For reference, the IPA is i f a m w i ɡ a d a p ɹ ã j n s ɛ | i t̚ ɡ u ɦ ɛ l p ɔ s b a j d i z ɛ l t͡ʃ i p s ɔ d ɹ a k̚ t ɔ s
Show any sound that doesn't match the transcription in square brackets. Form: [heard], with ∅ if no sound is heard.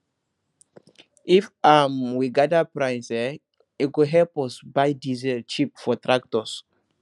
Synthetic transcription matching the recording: i f a m w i ɡ a d a p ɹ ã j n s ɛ | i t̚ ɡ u ɦ ɛ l p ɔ s b a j d i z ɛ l t͡ʃ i p [f] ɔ [t] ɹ a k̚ t ɔ s